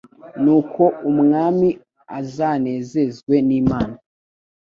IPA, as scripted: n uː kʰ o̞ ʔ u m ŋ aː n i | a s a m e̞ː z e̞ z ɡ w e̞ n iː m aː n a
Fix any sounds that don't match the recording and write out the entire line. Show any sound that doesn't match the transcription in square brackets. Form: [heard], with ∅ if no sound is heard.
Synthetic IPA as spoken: n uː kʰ o̞ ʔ u m ŋ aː [m] i | a [z] a [n] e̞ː z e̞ z ɡ w e̞ n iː m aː n a